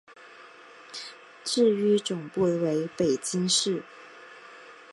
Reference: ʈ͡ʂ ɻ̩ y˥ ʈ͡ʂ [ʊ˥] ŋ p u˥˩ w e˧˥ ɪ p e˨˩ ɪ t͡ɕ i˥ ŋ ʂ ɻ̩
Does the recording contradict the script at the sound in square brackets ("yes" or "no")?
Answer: yes